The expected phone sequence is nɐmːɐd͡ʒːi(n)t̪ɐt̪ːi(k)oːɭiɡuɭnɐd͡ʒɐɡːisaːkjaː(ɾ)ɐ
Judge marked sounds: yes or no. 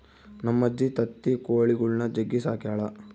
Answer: no, yes, no

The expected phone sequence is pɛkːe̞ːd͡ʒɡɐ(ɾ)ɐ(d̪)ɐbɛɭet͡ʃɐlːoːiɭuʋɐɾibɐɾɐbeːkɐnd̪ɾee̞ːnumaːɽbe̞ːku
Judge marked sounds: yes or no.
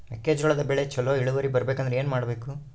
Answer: no, yes

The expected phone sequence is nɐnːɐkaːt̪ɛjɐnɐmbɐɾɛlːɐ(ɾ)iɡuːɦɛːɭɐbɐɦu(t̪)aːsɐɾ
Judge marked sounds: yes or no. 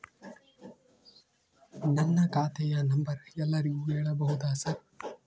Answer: yes, no

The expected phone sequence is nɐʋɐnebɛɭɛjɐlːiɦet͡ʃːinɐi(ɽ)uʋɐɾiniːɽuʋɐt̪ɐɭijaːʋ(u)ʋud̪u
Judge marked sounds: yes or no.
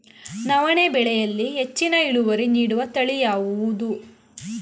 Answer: no, yes

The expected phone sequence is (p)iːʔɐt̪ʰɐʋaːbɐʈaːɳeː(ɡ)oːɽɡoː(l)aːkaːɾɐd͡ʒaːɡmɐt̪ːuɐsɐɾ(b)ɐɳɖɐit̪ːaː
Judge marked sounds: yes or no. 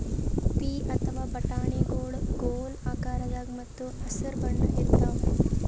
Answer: yes, yes, yes, yes

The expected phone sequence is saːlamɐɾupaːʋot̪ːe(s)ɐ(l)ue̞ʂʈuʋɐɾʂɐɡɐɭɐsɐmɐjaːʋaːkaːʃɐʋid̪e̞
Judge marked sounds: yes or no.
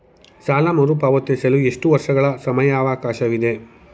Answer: yes, yes

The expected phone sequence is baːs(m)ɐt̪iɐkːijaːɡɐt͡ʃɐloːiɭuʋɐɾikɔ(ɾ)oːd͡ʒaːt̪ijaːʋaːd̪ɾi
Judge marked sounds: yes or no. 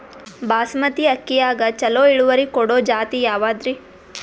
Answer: yes, no

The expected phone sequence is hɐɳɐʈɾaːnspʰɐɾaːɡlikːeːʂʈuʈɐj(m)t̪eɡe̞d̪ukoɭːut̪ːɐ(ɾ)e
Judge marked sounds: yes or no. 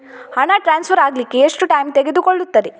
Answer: yes, yes

